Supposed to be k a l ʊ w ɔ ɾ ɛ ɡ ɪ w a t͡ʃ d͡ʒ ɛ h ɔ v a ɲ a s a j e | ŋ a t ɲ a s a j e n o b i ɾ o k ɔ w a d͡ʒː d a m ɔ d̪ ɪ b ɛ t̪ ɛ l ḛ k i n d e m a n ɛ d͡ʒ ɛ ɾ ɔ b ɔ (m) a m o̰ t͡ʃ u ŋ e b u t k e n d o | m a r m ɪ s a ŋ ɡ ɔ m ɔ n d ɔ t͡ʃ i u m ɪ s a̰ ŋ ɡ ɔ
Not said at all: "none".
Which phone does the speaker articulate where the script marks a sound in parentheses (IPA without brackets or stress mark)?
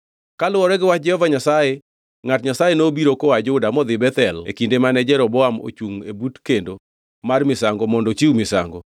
none